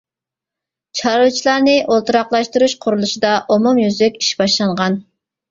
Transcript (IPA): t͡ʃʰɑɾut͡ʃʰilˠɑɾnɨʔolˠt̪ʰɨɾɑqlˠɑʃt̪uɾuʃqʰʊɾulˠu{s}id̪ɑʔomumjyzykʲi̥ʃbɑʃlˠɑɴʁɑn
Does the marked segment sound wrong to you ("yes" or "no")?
yes